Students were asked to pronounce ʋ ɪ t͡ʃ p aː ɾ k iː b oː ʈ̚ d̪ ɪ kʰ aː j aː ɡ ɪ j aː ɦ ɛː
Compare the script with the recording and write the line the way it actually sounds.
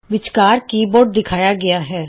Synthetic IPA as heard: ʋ ɪ t͡ʃ k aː ɾ k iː b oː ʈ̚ d̪ ɪ kʰ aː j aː ɡ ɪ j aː ɦ ɛː